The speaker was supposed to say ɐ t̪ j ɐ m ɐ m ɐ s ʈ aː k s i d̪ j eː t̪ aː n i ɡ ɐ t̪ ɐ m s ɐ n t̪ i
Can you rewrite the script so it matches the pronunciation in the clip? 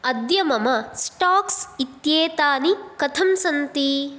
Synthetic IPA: ɐ d̪ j ɐ m ɐ m ɐ s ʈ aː k s i t̪ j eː t̪ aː n i k ɐ t̪ʰ ɐ m s ɐ n t̪ i